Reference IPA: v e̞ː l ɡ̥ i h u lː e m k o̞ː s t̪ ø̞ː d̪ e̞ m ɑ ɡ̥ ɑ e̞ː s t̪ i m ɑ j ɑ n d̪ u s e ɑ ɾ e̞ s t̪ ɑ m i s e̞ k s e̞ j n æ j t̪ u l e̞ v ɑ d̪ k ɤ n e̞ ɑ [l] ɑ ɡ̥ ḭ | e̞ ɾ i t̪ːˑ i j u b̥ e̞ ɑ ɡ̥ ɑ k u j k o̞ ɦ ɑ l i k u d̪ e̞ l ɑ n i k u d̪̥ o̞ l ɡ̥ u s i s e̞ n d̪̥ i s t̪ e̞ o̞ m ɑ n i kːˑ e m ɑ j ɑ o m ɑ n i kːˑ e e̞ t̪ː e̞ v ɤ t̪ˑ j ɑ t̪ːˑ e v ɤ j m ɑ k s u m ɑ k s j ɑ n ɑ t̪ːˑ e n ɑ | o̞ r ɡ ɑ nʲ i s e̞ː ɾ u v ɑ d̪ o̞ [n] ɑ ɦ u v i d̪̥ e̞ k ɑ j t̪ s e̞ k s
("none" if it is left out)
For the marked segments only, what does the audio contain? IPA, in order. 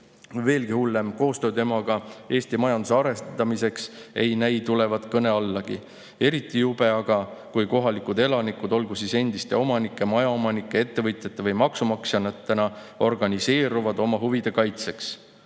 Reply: lː, m

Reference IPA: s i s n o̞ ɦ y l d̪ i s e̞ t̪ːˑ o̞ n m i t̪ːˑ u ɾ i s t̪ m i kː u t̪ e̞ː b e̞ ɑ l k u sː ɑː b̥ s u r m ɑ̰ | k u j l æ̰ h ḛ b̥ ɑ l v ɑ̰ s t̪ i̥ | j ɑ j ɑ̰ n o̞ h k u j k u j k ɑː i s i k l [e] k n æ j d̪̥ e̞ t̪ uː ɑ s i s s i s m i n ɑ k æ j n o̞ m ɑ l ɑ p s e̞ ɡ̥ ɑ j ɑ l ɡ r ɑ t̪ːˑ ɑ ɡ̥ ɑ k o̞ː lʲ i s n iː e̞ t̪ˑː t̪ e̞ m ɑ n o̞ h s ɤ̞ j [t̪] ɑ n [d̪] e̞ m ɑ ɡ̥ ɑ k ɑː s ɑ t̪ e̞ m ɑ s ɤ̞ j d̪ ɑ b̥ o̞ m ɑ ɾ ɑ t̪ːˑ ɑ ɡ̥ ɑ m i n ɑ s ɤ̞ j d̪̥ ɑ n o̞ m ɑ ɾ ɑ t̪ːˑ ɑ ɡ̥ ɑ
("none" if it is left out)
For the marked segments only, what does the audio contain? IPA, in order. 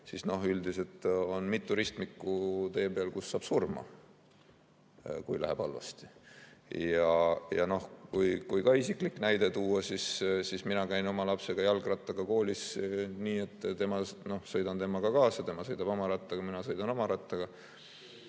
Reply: i, d̪, t̪

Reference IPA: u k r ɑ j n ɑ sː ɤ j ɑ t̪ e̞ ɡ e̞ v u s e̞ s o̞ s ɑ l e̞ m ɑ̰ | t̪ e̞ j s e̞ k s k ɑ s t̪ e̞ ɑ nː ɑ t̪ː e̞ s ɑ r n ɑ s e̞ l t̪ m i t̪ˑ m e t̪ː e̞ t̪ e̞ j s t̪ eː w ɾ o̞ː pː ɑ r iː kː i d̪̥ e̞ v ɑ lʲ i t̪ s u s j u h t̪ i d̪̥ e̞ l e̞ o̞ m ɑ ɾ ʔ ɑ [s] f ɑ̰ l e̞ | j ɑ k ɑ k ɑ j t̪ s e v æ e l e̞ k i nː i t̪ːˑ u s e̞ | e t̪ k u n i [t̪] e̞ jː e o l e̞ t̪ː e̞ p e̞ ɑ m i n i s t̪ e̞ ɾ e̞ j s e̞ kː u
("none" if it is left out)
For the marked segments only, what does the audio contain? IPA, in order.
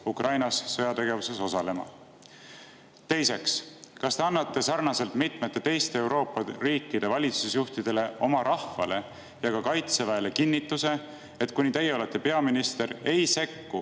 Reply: h, t̪

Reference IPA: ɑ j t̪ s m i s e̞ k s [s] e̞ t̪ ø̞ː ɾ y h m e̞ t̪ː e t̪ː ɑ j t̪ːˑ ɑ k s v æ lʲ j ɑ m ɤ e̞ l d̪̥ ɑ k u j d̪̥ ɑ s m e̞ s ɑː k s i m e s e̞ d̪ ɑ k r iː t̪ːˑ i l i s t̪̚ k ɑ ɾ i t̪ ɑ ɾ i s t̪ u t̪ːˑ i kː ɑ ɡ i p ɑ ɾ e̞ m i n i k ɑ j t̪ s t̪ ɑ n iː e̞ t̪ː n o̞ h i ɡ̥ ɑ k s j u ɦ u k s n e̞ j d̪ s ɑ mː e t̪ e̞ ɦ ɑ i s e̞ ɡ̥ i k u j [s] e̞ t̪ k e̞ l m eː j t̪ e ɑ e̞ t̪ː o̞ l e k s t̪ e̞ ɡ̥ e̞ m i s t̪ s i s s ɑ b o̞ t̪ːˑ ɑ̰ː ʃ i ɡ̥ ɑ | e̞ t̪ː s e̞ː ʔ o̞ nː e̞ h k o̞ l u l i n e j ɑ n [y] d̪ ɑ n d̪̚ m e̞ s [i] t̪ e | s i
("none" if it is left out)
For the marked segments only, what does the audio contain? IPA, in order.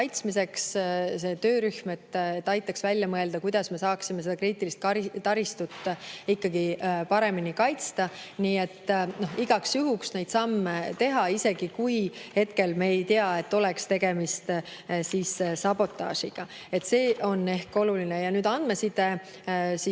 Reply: s, h, yː, i

